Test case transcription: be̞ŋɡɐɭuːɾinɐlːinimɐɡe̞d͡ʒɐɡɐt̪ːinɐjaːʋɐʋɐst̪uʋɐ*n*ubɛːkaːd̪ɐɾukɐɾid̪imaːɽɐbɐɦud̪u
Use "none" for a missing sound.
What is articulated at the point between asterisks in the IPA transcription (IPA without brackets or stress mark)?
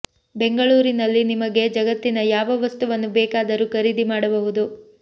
nː